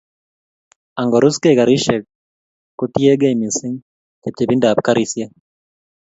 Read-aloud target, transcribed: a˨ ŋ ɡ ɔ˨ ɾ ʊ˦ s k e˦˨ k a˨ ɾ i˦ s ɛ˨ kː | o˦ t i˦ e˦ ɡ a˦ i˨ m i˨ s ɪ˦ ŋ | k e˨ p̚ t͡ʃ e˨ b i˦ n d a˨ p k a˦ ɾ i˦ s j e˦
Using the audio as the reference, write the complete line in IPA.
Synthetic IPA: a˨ ŋ ɡ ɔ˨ ɾ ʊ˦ s k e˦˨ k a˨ ɾ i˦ ʃ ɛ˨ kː | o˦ t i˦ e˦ ɡ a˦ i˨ m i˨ s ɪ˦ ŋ | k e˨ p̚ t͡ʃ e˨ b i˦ n d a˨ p k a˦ ɾ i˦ s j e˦